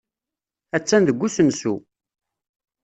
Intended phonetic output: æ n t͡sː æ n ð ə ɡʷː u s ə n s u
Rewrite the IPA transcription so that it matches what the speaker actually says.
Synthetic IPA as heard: æ t͡sː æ n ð ə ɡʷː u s ə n s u